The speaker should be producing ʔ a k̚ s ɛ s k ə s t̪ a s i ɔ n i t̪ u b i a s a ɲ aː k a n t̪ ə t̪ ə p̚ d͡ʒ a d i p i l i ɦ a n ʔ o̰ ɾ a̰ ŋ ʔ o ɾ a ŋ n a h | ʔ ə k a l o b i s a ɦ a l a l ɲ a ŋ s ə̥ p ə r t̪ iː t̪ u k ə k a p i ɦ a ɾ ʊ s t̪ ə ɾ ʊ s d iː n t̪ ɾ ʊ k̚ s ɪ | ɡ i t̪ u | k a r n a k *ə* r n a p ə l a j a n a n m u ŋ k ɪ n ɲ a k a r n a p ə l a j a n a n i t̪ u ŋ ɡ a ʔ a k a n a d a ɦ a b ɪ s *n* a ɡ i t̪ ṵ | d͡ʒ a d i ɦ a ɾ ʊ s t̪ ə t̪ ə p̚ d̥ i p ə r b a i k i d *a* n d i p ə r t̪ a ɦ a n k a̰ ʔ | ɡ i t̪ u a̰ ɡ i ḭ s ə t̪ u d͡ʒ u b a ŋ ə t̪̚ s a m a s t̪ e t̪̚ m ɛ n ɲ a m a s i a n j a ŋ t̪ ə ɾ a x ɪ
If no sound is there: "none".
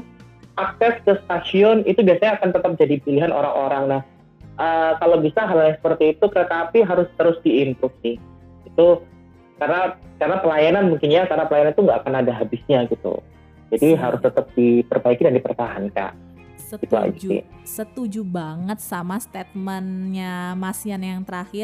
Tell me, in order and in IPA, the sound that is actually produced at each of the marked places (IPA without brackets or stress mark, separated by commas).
a, ɲ, a